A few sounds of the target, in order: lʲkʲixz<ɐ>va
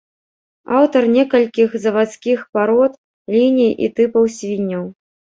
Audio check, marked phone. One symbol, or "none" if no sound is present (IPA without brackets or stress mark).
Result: ɐ